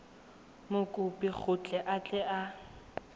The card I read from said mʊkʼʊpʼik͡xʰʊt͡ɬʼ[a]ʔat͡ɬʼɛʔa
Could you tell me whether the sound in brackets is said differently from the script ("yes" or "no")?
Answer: yes